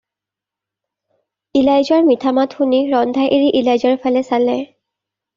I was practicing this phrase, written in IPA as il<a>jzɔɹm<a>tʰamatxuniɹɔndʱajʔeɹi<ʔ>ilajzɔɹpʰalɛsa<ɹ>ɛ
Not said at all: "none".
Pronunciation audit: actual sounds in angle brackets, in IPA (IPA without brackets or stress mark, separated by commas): a, i, ʔ, l